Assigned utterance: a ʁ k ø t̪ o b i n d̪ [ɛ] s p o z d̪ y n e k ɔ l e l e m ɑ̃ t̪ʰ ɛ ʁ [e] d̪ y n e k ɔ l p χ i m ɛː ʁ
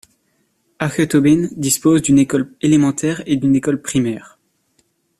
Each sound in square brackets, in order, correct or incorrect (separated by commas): incorrect, correct